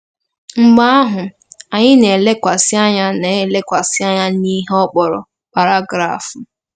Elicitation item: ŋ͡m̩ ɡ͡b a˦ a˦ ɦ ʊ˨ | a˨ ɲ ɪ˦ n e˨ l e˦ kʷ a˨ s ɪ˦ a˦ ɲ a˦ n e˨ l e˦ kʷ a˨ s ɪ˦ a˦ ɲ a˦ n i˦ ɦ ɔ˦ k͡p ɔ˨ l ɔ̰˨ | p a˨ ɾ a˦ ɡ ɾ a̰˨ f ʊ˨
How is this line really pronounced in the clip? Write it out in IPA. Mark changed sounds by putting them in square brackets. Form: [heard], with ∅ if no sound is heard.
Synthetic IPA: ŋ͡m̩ ɡ͡b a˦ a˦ ɦ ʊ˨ | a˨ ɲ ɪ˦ n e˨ l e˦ kʷ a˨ s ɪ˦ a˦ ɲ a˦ n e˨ l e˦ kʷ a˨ s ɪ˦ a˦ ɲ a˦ n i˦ ɦ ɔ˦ k͡p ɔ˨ [ɾ] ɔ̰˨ | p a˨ ɾ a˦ ɡ ɾ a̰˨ f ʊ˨